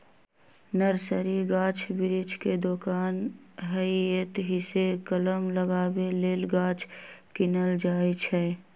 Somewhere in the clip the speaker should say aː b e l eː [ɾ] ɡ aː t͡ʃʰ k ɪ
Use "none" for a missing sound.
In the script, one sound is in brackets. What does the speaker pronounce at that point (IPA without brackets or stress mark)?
l